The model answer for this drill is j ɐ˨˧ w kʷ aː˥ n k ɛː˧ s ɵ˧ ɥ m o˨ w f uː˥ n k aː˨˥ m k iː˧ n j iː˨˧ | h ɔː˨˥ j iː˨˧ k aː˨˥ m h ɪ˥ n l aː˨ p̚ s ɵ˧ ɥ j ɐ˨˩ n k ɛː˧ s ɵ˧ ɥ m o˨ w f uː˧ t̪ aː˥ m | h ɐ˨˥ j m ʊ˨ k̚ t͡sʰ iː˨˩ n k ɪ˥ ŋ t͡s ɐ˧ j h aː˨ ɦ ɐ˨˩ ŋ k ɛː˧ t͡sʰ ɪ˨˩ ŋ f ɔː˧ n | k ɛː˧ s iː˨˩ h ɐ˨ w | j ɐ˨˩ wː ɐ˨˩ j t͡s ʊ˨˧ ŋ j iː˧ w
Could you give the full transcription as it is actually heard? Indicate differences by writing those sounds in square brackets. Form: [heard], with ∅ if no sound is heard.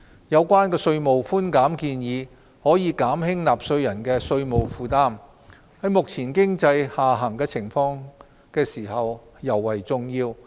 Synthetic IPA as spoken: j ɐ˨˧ w kʷ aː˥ n k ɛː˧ s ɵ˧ ɥ m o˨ w f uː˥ n k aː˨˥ m k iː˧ n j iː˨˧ | h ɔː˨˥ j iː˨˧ k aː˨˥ m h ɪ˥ [ŋ] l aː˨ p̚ s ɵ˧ ɥ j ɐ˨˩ n k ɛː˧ s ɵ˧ ɥ m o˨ w f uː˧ t̪ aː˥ m | h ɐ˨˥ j m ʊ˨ k̚ t͡sʰ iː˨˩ n k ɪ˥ ŋ t͡s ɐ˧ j h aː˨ ɦ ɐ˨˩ ŋ k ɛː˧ t͡sʰ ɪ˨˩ ŋ f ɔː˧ [ŋ] | k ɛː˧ s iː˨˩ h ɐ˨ w | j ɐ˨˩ wː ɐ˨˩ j t͡s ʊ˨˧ ŋ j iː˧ w

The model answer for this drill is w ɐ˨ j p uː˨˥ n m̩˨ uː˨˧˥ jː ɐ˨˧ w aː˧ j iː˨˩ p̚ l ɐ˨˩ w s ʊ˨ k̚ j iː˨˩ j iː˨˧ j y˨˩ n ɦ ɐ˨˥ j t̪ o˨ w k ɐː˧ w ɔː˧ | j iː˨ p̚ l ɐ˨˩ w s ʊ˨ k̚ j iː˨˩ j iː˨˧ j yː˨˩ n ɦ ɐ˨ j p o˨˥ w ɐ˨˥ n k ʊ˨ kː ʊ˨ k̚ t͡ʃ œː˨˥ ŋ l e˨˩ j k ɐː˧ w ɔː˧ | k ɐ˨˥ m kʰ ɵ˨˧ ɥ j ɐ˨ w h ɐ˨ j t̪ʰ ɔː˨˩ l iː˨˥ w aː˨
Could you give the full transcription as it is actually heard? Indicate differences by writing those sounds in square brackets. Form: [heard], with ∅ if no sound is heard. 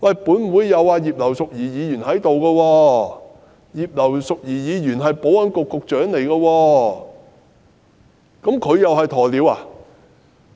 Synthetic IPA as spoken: w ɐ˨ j p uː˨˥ n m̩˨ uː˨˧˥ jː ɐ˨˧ w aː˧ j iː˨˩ p̚ l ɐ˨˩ w s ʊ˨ k̚ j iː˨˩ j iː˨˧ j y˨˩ n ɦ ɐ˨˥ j t̪ o˨ w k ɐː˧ w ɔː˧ | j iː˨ p̚ l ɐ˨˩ w s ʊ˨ k̚ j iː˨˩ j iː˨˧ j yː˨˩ n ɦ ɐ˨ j p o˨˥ w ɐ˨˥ n k ʊ˨ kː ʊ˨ k̚ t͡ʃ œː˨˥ ŋ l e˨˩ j k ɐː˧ w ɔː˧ | k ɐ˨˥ m kʰ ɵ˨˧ ɥ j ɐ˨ w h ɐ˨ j t̪ʰ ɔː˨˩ l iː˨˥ w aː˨

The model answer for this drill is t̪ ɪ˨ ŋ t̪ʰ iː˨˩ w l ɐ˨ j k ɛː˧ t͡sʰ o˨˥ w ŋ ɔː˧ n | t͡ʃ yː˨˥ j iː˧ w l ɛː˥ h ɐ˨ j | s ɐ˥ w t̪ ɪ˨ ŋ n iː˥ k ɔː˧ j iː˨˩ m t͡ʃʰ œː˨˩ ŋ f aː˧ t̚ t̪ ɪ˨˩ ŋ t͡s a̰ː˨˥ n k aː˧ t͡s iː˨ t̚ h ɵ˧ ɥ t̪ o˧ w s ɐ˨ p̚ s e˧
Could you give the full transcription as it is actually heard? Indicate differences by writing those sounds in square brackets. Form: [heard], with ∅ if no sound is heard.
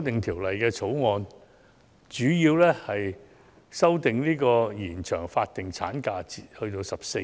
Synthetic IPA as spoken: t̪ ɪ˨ ŋ t̪ʰ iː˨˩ w l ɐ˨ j k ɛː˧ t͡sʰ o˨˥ w ŋ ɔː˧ n | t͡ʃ yː˨˥ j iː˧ w l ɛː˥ h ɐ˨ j | s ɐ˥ w t̪ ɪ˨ ŋ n iː˥ k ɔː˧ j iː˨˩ [n] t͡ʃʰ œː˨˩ ŋ f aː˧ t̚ t̪ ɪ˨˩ ŋ [t͡sʰ] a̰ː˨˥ n k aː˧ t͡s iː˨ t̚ h ɵ˧ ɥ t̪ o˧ w s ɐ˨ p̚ s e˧

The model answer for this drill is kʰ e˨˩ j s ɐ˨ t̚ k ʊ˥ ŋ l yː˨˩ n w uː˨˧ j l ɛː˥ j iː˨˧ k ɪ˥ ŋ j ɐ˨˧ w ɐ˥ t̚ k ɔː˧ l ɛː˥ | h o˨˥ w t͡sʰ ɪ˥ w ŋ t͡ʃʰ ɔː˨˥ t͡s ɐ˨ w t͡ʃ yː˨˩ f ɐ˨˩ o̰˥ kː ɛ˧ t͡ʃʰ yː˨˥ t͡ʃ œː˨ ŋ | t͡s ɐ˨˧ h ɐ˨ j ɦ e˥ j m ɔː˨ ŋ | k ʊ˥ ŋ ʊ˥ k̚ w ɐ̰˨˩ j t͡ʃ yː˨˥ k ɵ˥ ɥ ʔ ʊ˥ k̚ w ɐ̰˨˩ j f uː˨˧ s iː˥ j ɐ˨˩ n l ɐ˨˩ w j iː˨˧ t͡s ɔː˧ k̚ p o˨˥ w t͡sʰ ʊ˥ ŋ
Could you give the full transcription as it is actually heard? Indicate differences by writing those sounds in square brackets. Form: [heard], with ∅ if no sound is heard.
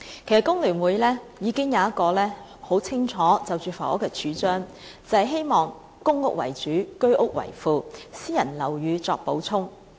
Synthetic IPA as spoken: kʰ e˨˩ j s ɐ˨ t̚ k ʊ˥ ŋ l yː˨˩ n w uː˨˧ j l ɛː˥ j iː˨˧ k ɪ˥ ŋ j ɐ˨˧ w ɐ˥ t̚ k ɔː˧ l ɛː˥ | h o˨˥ w t͡sʰ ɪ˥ [∅] ŋ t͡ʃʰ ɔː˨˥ t͡s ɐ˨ w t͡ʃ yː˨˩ f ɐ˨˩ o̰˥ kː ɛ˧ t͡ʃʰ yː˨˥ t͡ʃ [œː˥] ŋ | t͡s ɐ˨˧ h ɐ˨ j ɦ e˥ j m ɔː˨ ŋ | k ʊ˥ ŋ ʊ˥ k̚ w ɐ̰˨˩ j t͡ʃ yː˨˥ k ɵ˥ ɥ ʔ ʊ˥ k̚ w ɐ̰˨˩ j f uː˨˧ s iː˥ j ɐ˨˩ n l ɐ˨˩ w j [yː˨˧] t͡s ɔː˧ k̚ p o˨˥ w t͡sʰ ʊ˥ ŋ

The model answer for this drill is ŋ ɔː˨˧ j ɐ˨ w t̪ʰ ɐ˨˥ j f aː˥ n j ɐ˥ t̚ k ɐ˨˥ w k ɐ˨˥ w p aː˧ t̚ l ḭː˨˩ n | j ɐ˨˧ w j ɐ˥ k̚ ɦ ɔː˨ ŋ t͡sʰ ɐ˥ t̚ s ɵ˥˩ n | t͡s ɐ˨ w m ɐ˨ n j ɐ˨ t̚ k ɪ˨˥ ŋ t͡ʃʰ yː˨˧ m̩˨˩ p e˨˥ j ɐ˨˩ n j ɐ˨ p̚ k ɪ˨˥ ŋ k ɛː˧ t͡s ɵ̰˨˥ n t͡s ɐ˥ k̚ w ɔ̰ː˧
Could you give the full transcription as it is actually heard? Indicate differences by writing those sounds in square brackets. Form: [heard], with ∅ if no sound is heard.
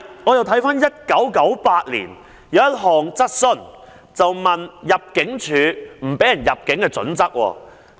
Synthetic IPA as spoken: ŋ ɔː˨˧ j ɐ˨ w t̪ʰ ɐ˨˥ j f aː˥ n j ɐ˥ t̚ k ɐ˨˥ w k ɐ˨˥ w p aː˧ t̚ l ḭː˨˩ n | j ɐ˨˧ w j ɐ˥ [t̚] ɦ ɔː˨ ŋ [t͡s] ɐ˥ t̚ s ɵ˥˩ n | t͡s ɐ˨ w m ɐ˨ n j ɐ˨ [p̚] k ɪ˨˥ ŋ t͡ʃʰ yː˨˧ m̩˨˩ p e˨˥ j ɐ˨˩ n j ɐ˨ p̚ k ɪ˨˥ ŋ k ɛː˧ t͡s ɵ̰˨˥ n t͡s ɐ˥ k̚ w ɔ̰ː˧

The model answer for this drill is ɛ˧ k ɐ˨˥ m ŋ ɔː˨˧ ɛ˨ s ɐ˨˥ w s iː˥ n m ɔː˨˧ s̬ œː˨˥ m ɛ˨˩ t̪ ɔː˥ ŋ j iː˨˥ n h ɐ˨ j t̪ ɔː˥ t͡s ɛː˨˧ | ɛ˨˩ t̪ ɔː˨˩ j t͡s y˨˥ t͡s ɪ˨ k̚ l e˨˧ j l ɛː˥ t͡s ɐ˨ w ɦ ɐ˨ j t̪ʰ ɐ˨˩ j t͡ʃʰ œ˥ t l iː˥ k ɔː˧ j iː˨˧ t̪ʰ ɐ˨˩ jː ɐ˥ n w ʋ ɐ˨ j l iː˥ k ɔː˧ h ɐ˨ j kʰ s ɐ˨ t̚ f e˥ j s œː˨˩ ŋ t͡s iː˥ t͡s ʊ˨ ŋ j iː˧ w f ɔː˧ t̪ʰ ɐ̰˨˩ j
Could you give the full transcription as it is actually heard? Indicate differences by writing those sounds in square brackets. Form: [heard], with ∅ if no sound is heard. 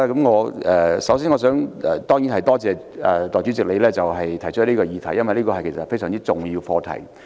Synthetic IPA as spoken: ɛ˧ k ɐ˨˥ m ŋ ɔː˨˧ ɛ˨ s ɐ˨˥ w s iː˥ n [ŋ] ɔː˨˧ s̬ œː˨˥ [ŋ] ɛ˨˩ t̪ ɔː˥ ŋ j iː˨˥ n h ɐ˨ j t̪ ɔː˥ t͡s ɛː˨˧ | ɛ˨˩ t̪ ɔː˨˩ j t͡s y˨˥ t͡s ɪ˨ k̚ l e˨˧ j l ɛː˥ t͡s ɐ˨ w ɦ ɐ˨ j t̪ʰ ɐ˨˩ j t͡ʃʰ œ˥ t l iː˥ k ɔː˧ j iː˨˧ t̪ʰ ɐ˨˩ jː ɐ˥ n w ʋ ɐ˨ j l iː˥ k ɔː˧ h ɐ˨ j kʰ s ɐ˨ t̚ f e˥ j s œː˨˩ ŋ t͡s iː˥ t͡s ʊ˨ ŋ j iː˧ w f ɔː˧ t̪ʰ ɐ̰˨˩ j

